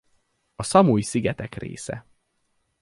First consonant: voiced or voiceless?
voiceless